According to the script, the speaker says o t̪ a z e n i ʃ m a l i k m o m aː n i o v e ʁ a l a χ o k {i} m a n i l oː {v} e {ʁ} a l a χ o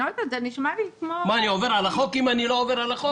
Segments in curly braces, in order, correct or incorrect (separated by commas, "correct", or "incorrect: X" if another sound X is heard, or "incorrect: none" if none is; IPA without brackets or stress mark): correct, correct, correct